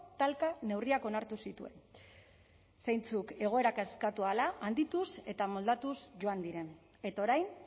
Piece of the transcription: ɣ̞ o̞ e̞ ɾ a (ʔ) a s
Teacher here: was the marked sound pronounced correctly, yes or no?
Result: no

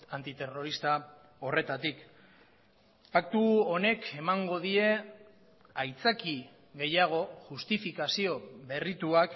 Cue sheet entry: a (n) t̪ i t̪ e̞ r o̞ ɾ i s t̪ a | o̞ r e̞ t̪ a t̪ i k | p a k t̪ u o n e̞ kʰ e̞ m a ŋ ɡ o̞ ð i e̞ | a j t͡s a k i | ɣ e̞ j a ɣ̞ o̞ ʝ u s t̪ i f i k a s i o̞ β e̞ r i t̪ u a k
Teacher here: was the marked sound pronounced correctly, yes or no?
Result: yes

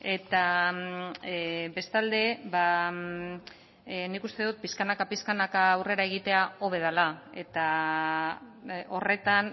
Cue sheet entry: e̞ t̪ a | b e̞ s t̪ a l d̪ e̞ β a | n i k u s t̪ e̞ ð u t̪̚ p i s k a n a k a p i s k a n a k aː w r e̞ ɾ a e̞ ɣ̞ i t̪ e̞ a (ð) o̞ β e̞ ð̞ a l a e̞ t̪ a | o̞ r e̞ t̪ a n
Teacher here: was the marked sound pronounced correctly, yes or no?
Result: no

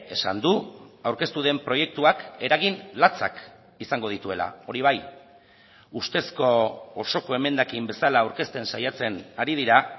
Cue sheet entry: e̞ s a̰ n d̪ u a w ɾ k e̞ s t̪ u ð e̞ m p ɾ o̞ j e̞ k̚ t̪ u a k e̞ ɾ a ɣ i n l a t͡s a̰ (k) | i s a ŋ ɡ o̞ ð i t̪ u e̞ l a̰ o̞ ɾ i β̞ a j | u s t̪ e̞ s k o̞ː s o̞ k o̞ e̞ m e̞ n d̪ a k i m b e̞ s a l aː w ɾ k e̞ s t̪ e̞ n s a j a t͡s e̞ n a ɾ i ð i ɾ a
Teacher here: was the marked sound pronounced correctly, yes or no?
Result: yes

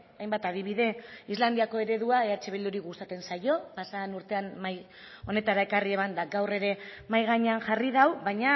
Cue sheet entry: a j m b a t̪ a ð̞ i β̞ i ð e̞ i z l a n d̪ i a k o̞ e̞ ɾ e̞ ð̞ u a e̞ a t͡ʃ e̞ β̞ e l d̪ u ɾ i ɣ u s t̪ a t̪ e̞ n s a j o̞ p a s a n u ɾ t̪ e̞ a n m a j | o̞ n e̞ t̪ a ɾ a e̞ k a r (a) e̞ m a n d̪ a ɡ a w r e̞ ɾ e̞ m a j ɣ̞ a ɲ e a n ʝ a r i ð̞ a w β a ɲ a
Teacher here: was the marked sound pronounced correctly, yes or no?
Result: no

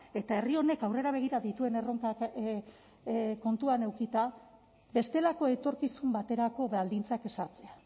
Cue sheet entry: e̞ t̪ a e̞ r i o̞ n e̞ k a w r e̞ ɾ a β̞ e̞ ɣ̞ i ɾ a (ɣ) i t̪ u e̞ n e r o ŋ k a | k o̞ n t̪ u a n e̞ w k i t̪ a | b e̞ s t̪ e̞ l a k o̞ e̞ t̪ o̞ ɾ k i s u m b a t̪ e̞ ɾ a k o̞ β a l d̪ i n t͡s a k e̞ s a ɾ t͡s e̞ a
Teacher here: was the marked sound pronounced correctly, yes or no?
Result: no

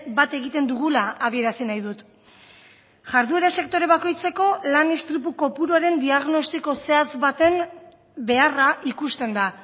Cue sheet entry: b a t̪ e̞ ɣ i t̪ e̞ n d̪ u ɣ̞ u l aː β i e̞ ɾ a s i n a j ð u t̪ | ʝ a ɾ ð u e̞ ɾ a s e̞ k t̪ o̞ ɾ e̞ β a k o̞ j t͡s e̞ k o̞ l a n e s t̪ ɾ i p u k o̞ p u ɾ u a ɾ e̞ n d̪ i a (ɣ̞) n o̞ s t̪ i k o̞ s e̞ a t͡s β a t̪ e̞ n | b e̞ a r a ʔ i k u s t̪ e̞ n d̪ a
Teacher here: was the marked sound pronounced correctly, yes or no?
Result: yes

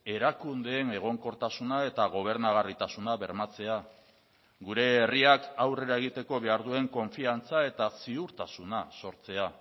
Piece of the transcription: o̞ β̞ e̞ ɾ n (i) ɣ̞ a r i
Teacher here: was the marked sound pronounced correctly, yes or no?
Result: no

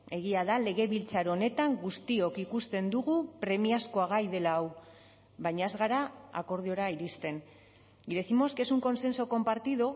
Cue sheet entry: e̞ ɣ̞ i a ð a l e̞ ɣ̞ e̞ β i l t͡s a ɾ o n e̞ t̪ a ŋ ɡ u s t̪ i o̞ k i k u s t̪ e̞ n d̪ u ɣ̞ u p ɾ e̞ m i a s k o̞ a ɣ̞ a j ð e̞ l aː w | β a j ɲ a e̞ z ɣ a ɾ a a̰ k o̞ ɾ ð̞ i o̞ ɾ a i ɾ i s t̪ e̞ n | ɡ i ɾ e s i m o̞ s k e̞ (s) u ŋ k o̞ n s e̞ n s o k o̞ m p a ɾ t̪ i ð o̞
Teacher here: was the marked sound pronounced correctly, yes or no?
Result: yes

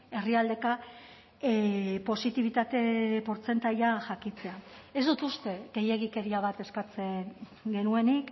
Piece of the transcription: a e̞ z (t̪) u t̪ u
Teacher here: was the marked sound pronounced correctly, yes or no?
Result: no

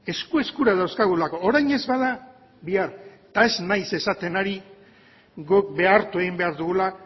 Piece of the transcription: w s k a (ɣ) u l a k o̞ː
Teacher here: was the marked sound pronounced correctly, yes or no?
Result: yes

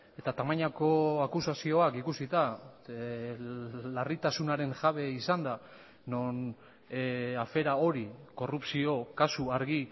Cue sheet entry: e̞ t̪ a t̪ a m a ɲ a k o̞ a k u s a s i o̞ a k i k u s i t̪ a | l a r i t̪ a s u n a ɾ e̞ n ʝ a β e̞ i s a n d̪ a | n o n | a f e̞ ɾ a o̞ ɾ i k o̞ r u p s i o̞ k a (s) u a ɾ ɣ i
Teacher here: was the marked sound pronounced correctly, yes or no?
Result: yes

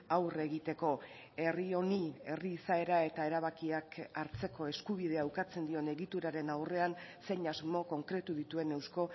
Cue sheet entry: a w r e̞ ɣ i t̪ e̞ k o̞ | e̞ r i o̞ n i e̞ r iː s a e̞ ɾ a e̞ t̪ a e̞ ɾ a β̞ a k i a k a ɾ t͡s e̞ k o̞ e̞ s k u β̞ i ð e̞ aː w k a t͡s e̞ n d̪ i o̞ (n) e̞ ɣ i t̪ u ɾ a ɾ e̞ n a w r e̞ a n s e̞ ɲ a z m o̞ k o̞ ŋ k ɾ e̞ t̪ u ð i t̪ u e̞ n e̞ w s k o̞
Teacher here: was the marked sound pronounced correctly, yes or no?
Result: yes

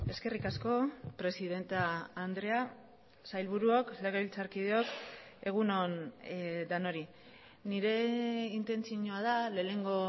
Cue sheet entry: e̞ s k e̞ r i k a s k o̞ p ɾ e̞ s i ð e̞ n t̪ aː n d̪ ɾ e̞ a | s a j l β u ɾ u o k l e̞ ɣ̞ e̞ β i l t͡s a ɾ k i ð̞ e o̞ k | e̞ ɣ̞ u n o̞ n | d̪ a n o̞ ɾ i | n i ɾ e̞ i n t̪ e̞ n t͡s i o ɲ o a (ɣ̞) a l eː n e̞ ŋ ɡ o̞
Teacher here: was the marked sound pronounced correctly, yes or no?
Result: no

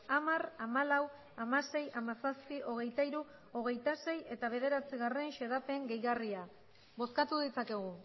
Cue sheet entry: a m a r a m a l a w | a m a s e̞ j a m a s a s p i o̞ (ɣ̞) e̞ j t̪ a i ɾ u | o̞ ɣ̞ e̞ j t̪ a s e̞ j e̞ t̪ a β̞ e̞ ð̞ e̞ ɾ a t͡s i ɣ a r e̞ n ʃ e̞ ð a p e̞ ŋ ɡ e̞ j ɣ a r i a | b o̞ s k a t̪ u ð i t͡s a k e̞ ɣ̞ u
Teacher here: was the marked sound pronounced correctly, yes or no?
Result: yes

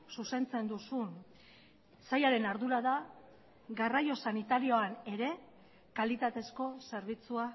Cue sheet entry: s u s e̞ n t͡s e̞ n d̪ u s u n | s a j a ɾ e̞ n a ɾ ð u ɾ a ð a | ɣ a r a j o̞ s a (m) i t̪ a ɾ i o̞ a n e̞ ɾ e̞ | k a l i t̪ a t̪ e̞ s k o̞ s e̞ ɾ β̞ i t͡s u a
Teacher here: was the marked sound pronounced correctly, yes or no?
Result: no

